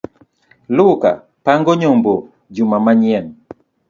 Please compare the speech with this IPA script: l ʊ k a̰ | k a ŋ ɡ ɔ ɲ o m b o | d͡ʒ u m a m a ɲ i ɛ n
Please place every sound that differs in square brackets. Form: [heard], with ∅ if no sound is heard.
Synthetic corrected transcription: l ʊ k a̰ | [p] a ŋ ɡ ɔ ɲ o m b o | d͡ʒ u m a m a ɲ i ɛ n